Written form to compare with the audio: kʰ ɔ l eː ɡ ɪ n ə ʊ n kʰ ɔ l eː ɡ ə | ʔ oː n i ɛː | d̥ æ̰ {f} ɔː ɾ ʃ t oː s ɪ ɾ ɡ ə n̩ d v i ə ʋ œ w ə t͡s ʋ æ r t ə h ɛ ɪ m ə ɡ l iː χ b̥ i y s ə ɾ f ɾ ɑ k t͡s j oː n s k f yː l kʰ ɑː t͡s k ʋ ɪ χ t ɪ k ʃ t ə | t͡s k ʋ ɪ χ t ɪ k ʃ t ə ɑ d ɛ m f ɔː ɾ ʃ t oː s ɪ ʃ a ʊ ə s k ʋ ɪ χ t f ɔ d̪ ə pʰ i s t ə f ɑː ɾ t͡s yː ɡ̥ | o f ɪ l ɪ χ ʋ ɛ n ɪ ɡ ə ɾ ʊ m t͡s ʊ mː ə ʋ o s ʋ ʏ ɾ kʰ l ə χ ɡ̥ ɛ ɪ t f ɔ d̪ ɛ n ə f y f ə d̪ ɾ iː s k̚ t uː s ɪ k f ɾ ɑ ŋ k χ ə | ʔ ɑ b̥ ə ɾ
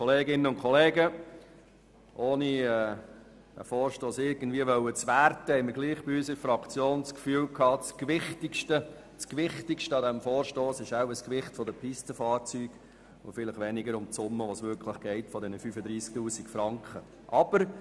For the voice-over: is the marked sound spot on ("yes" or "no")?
yes